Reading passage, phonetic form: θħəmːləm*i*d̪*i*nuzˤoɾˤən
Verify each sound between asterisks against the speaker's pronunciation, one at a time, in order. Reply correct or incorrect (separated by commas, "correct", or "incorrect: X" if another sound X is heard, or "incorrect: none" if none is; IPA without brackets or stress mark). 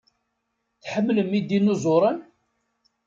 correct, correct